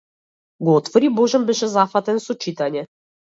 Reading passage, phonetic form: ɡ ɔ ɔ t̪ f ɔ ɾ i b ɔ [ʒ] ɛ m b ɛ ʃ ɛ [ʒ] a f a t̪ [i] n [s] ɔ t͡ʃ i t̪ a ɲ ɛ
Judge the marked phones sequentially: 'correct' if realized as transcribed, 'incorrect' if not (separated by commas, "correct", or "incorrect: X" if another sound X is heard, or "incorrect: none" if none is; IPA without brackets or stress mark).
correct, incorrect: z, incorrect: ɛ, correct